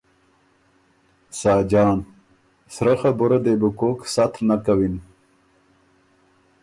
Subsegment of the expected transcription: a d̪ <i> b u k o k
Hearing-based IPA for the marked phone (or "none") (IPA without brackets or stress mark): e